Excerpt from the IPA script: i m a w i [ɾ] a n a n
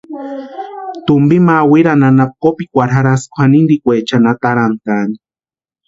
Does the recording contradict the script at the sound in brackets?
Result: no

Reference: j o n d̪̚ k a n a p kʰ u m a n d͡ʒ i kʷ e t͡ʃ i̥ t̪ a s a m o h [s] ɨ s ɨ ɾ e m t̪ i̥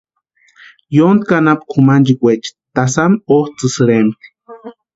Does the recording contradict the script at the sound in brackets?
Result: yes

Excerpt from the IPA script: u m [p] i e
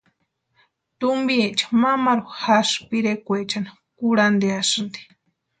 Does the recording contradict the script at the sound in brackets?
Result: yes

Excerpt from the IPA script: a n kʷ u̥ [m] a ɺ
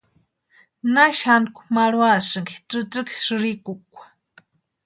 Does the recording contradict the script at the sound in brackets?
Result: no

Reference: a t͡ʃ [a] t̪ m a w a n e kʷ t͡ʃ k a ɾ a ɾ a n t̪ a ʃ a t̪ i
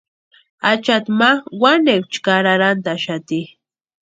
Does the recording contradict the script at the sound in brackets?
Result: no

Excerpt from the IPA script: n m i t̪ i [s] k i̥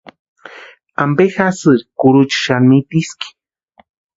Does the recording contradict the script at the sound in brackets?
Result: no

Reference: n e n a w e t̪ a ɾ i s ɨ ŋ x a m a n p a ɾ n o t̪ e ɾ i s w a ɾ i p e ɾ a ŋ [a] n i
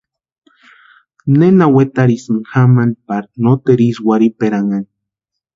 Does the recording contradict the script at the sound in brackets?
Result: no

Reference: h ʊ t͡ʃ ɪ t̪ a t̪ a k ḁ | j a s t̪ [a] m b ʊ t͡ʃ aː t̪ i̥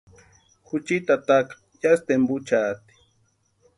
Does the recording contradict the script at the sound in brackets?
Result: yes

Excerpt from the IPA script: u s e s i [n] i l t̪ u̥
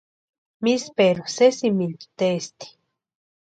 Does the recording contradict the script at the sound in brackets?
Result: yes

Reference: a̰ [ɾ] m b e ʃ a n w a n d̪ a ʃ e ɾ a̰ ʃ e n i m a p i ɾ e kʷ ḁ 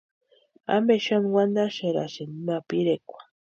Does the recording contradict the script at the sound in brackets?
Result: yes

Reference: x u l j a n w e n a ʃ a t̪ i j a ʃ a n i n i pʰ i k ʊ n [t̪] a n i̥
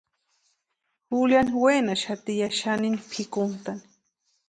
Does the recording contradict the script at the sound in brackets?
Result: no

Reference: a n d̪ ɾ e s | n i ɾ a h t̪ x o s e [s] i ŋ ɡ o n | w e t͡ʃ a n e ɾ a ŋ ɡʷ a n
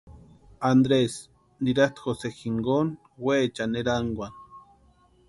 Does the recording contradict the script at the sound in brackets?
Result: yes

